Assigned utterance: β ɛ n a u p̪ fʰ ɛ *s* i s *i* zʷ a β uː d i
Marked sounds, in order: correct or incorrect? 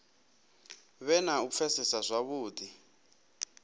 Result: correct, incorrect: a

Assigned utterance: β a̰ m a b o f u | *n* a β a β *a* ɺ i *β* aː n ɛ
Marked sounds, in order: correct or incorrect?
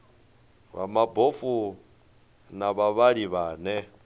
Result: correct, correct, correct

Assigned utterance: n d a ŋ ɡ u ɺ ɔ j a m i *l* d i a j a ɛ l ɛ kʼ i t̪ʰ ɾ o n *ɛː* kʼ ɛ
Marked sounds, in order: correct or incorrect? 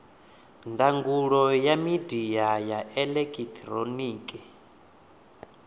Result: incorrect: none, incorrect: iː

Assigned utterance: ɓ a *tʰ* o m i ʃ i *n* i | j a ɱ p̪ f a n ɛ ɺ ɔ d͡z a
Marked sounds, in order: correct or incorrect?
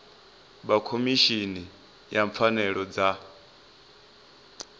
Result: incorrect: kʰ, correct

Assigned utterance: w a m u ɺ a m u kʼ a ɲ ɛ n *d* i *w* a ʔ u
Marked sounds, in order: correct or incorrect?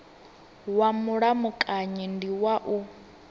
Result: correct, correct

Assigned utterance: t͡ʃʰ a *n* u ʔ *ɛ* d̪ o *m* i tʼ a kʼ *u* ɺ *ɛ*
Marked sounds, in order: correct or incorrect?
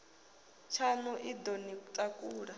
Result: correct, incorrect: i, incorrect: n, incorrect: uː, incorrect: a

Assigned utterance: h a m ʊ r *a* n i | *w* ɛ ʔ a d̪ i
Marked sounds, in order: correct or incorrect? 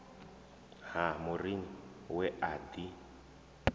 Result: incorrect: i, correct

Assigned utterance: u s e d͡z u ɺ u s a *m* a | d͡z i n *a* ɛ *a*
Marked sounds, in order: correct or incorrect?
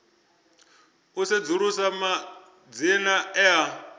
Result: correct, correct, correct

